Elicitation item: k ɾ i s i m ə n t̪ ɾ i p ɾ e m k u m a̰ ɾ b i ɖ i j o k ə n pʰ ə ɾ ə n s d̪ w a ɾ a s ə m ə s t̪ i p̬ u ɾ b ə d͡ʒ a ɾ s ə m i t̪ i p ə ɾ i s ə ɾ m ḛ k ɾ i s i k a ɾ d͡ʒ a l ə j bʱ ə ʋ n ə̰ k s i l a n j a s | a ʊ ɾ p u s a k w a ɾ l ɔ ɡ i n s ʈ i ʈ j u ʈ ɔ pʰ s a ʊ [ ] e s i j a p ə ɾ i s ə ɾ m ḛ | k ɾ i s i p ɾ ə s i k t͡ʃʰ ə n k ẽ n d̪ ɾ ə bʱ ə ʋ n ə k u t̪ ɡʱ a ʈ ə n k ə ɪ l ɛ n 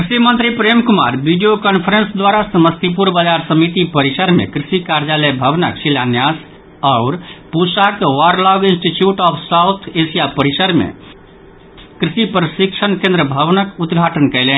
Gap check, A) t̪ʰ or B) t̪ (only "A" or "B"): A